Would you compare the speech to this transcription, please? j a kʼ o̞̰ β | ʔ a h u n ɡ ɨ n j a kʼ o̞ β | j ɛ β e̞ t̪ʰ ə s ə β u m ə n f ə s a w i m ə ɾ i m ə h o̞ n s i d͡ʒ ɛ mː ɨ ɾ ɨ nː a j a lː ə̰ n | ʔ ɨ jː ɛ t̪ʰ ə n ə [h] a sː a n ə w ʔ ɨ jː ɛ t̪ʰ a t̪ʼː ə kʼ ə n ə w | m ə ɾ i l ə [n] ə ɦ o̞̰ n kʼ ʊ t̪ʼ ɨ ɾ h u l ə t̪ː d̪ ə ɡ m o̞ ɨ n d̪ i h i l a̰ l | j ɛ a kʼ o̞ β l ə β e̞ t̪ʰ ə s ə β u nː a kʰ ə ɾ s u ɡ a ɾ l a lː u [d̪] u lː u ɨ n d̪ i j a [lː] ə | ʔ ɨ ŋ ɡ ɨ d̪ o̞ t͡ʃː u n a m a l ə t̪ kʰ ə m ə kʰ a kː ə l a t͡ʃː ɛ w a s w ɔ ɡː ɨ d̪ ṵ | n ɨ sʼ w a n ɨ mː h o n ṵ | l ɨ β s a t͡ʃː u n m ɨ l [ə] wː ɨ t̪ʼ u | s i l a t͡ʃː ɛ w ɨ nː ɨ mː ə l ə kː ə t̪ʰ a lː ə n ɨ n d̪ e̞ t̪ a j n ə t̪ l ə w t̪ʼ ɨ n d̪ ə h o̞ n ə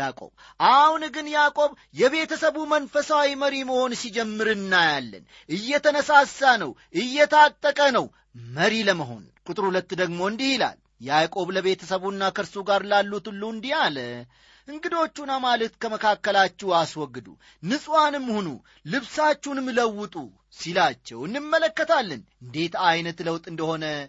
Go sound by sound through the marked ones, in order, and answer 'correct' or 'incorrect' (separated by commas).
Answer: incorrect, incorrect, incorrect, incorrect, correct